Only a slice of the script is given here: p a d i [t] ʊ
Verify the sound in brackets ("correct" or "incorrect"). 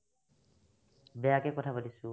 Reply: incorrect